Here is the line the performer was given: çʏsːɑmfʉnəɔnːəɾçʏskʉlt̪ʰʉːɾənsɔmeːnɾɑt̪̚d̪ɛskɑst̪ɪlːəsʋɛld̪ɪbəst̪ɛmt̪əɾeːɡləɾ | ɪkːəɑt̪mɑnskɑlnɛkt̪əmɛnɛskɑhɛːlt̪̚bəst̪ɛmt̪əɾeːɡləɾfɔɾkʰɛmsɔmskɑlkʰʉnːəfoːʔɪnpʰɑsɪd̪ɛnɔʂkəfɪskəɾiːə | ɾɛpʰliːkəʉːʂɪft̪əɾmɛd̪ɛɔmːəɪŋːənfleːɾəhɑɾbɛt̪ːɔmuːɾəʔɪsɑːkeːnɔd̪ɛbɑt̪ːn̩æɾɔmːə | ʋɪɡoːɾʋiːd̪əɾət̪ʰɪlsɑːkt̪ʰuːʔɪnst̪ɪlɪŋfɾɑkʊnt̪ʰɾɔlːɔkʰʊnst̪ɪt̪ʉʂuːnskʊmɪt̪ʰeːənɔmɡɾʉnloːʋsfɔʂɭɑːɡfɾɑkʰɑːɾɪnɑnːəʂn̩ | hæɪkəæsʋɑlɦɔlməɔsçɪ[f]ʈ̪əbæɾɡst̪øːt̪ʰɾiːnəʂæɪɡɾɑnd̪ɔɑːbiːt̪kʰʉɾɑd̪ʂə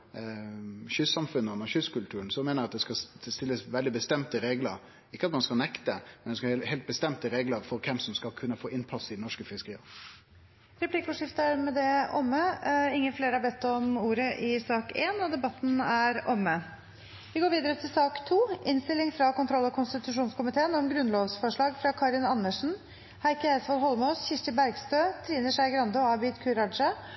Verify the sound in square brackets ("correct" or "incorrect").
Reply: incorrect